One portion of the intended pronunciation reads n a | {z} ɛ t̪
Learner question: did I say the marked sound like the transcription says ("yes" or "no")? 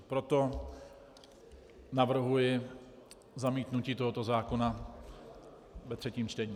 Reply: no